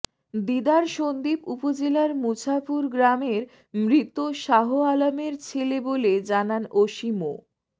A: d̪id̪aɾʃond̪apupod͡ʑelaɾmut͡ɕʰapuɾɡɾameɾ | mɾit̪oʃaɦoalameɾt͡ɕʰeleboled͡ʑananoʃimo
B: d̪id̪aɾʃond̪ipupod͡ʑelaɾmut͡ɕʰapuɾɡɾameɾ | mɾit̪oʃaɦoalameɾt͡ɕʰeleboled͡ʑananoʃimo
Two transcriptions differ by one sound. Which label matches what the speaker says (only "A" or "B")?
B